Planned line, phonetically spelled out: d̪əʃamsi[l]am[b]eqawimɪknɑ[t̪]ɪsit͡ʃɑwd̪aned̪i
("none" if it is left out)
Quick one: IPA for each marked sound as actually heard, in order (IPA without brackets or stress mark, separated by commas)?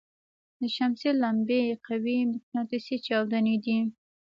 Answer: l, b, t̪